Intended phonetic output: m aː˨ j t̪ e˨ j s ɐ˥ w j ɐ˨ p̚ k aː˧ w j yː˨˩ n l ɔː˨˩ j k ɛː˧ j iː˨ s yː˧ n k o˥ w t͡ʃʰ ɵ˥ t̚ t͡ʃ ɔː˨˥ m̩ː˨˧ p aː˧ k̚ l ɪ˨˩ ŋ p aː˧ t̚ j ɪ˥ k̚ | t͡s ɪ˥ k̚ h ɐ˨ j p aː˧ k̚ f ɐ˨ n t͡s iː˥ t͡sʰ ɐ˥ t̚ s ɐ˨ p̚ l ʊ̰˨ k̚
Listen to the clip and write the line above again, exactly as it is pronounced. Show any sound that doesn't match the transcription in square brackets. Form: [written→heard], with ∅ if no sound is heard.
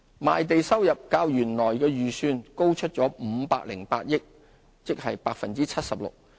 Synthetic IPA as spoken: m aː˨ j t̪ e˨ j s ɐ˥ w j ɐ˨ p̚ k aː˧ w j yː˨˩ n l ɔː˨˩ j k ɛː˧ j [iː˨→yː˨] s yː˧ n k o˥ w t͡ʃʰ ɵ˥ t̚ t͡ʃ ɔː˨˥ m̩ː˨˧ p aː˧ k̚ l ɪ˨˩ ŋ p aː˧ t̚ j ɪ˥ k̚ | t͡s ɪ˥ k̚ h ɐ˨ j p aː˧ k̚ f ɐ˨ n t͡s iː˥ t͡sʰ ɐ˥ t̚ s ɐ˨ p̚ l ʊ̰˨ k̚